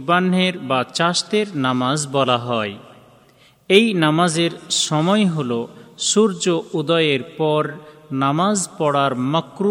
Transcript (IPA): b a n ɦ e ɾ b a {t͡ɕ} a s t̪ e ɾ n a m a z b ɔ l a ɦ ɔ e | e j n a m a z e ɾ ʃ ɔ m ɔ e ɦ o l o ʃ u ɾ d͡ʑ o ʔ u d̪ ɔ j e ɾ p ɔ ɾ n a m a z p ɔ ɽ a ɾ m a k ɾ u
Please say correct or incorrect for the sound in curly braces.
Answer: correct